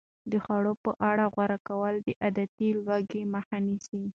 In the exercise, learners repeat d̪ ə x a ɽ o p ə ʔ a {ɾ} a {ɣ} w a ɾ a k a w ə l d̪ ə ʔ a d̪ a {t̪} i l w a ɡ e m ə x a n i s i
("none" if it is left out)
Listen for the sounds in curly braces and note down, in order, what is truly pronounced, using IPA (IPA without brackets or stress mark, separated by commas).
ɽ, ɣ, t̪